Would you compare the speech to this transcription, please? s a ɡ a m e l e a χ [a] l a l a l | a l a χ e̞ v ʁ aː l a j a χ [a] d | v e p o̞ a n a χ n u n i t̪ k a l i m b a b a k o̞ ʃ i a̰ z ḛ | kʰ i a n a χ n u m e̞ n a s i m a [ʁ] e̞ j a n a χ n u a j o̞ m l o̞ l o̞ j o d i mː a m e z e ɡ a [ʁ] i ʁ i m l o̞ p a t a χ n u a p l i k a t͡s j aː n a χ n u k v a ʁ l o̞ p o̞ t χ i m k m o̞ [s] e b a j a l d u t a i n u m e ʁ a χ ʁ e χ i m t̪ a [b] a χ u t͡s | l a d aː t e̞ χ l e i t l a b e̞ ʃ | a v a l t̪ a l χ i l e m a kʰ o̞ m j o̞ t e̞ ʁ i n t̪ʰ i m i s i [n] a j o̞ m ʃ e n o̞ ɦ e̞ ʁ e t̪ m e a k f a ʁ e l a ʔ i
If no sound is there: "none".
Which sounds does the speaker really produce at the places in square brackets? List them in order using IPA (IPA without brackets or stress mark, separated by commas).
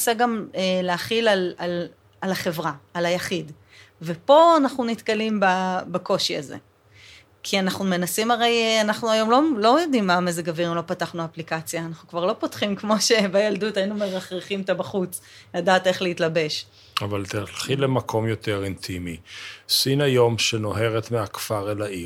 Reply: i, i, ʁ, v, ʃ, b, n